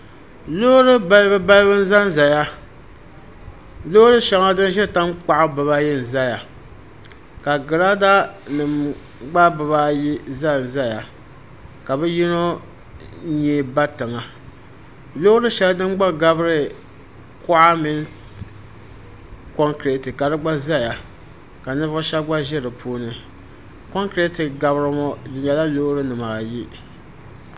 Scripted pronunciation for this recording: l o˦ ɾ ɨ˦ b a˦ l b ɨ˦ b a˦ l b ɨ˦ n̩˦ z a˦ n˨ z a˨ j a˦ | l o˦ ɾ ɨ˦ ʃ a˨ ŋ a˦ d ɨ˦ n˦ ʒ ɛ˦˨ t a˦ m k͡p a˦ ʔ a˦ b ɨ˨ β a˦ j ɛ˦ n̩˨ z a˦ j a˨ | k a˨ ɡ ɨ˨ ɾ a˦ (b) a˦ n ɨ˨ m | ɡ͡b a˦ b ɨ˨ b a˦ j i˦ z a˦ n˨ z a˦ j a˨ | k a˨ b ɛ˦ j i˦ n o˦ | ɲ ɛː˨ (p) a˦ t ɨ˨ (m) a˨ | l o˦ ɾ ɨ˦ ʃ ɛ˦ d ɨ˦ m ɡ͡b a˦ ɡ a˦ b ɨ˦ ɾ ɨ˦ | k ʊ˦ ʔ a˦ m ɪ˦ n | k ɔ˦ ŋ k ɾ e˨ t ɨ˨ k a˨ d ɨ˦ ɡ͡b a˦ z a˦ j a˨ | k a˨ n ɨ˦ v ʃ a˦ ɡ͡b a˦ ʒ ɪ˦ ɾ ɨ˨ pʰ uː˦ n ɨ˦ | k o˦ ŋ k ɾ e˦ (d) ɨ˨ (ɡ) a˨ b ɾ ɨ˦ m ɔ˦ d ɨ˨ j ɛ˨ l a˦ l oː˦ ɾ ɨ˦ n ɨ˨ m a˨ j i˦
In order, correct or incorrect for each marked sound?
incorrect: d, incorrect: b, incorrect: ŋ, incorrect: t, correct

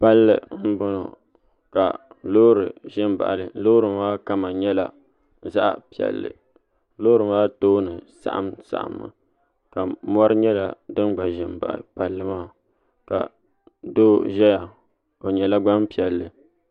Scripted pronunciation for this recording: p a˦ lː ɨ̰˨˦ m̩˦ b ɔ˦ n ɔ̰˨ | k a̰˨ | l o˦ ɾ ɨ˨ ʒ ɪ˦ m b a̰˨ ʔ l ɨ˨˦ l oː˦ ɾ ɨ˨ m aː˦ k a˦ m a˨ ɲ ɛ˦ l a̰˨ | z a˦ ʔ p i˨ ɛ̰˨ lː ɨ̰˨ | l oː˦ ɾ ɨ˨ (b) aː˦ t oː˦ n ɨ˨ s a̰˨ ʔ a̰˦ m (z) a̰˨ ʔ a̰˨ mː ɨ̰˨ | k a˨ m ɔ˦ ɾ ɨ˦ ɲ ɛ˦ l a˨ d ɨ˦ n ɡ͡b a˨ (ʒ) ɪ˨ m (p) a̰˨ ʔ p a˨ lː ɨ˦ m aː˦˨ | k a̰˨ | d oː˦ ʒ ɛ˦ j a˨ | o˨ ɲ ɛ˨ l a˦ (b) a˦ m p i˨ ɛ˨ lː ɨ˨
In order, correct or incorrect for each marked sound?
incorrect: m, incorrect: s, correct, incorrect: b, incorrect: ɡ͡b

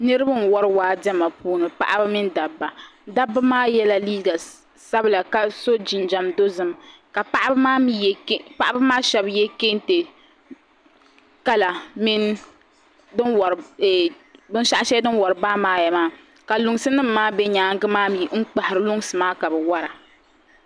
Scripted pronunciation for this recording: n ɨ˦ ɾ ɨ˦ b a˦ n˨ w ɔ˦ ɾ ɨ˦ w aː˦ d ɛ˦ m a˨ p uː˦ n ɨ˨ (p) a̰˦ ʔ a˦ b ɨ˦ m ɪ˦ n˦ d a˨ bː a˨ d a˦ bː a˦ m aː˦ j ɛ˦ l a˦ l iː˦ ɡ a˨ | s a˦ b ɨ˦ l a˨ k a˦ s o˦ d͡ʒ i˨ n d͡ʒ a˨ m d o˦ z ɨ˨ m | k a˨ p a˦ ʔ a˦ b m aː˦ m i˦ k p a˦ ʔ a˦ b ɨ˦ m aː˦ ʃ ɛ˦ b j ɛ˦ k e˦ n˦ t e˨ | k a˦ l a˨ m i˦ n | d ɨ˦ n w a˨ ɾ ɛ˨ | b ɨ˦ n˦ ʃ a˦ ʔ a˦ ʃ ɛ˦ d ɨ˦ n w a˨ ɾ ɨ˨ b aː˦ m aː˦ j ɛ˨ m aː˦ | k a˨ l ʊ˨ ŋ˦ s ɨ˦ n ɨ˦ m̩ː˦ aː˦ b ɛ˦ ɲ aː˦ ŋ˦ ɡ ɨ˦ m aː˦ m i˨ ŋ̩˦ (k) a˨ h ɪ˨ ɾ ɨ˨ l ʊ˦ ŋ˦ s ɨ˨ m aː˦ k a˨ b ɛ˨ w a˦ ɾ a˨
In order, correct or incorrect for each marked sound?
correct, incorrect: k͡p

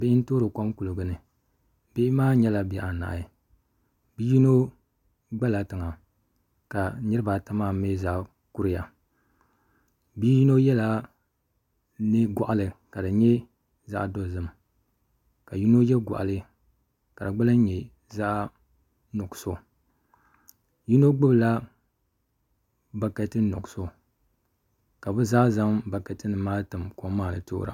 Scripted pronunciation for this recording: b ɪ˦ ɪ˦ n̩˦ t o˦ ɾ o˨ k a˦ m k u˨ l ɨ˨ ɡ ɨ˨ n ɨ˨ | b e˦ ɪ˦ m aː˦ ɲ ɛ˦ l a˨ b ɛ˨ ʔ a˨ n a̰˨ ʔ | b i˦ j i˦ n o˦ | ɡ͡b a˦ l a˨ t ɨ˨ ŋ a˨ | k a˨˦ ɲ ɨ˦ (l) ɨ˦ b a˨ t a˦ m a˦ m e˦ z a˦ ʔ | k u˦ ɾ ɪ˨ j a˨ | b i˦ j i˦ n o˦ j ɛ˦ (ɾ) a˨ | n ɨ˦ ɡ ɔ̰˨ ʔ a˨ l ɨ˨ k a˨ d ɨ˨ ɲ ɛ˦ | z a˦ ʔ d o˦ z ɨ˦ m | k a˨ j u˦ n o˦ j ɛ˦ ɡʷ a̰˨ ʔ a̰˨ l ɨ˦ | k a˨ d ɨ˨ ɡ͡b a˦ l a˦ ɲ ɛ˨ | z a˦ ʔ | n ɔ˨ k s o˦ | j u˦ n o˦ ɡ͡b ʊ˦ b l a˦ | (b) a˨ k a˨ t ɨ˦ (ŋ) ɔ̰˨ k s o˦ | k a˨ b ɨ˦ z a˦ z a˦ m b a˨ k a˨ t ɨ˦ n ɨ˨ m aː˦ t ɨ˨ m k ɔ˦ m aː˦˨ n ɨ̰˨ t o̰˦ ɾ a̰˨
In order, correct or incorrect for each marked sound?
incorrect: ɾ, incorrect: l, correct, incorrect: n

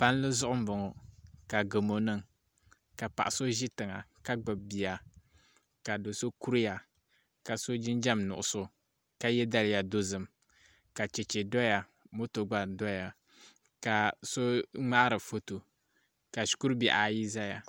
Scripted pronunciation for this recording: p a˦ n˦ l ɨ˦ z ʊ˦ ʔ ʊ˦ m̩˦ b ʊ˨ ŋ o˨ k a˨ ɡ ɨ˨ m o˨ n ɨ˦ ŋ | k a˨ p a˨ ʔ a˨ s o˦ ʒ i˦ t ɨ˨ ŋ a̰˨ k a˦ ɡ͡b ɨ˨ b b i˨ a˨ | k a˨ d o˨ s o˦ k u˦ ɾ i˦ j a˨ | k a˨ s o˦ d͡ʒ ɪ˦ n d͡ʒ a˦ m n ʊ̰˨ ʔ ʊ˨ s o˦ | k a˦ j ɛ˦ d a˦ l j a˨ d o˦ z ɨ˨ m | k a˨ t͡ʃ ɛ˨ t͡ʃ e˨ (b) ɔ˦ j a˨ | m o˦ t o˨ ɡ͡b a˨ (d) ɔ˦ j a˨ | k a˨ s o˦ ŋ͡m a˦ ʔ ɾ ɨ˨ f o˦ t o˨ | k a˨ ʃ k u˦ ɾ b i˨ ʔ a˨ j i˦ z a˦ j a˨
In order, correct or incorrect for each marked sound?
incorrect: d, correct

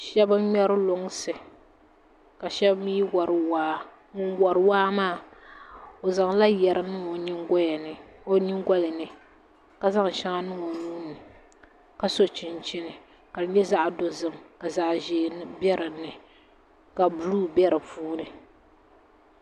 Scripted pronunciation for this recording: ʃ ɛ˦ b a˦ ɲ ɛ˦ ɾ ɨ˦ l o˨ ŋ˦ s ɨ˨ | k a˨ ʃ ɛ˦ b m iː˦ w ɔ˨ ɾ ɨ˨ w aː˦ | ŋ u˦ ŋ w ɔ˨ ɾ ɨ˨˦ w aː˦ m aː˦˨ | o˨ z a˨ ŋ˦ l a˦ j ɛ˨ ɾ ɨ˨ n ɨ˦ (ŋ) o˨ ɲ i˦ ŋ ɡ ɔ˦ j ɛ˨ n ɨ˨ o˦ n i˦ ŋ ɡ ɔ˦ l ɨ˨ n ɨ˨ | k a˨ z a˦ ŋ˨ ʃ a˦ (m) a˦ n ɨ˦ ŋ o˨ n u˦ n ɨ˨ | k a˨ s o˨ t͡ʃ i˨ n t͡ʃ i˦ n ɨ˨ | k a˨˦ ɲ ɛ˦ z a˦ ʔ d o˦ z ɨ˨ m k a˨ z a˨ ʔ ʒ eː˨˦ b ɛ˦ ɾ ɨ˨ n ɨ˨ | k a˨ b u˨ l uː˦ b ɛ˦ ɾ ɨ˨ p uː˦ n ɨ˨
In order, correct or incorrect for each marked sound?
correct, incorrect: ŋ

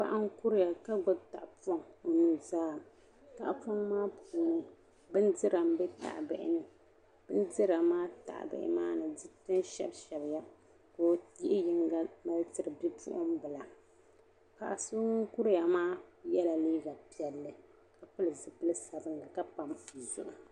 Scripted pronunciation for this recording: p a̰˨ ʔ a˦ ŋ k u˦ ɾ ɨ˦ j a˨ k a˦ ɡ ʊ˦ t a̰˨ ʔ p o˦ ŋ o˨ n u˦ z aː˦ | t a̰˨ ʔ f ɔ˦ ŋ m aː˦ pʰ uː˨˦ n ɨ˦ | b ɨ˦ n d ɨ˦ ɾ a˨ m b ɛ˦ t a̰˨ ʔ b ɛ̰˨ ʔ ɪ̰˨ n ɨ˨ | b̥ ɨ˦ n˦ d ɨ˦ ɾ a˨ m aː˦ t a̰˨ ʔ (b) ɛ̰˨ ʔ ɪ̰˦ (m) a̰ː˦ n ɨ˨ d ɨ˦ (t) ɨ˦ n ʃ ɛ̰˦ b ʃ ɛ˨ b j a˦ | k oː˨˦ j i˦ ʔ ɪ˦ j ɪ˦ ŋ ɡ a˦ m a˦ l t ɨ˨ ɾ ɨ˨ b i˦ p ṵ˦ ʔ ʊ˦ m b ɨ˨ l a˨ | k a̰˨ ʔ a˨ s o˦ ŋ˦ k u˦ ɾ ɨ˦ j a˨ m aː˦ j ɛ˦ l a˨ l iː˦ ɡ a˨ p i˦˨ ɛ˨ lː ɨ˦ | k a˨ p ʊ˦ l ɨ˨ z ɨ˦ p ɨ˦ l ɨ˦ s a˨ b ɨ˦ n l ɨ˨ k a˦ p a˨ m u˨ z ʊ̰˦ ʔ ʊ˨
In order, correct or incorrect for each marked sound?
correct, correct, correct

